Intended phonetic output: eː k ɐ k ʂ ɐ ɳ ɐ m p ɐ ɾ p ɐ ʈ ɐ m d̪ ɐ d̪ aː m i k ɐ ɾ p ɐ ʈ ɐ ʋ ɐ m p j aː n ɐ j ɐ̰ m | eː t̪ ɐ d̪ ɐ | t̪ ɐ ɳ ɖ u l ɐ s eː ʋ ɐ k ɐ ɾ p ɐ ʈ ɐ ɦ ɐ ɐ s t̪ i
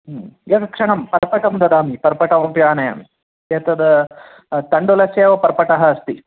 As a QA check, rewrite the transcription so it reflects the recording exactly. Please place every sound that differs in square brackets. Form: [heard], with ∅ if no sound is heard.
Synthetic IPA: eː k ɐ k ʂ ɐ ɳ ɐ m p ɐ ɾ p ɐ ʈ ɐ m d̪ ɐ d̪ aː m i [p] ɐ ɾ p ɐ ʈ ɐ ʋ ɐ m p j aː n ɐ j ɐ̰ m | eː t̪ ɐ d̪ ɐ | t̪ ɐ ɳ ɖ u l ɐ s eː ʋ ɐ [p] ɐ ɾ p ɐ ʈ ɐ ɦ ɐ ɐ s t̪ i